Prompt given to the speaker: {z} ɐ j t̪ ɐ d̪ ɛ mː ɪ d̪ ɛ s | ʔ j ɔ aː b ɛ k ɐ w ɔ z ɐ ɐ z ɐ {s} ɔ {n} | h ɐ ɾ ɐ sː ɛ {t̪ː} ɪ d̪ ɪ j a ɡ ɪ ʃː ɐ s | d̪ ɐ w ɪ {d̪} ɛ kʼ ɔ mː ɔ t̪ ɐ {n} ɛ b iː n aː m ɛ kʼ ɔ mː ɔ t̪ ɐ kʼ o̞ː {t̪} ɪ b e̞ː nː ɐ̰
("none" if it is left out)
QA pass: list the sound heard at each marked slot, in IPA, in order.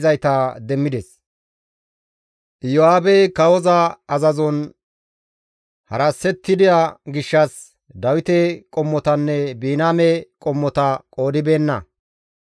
z, z, n, t̪ː, t̪, nː, d̪

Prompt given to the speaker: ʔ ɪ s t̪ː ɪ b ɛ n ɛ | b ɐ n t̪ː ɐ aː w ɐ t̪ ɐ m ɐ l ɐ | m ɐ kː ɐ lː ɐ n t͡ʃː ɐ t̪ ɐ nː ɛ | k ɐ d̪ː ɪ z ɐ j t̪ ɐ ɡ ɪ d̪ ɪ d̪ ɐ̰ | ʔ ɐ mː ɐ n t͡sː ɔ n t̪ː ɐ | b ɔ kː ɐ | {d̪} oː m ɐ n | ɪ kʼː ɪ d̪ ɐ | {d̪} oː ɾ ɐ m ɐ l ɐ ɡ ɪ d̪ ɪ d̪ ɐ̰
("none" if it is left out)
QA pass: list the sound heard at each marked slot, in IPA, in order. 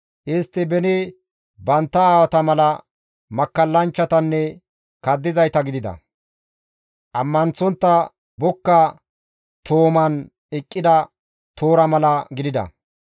t̪, t̪

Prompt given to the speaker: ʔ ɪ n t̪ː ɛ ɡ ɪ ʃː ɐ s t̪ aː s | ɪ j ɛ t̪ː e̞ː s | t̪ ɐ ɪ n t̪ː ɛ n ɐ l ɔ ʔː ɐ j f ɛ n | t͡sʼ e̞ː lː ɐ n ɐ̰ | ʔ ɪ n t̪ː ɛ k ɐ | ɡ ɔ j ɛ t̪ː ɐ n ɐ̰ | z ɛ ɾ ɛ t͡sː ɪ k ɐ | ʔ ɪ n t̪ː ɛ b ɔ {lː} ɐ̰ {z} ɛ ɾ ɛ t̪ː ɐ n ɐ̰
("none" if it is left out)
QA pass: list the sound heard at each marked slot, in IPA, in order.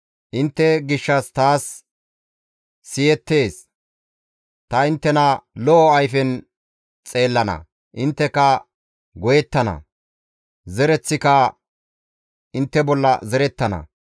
lː, z

